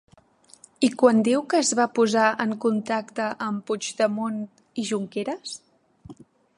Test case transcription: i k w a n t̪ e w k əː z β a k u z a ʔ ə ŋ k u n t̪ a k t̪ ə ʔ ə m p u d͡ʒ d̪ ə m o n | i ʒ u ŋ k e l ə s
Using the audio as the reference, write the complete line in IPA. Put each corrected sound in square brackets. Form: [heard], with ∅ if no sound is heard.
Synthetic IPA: i k w a n [d̪] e w k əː z β a [p] u z a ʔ ə ŋ k u n t̪ a k t̪ ə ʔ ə m p u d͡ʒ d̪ ə m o n | i ʒ u ŋ k e [ɾ] ə s